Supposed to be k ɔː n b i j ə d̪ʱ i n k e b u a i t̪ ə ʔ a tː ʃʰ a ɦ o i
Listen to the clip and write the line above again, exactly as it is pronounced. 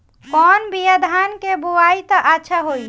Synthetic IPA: k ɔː n b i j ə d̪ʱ a n k e b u a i t̪ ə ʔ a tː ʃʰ a ɦ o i